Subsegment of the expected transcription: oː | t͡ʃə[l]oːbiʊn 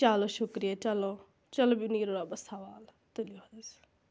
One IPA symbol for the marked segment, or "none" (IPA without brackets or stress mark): l